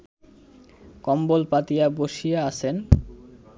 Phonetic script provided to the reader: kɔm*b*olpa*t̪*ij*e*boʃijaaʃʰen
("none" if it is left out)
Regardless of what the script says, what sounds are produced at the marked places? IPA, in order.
b, t̪, a

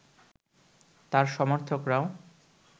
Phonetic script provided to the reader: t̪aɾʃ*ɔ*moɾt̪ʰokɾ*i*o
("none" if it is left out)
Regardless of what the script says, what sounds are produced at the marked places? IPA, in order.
ɔ, a

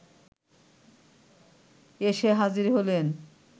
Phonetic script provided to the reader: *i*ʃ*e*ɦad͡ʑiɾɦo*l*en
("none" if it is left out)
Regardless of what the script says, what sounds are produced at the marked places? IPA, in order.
e, e, l

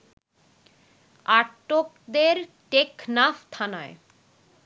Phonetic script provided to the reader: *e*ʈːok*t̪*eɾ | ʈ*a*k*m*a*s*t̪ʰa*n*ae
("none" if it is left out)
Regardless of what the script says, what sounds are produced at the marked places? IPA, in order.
a, d̪, e, n, f, n

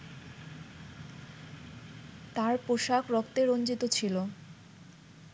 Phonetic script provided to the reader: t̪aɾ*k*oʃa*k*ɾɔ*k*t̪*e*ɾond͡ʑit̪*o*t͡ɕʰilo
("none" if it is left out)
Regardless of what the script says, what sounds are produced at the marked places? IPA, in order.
p, k, k, e, o

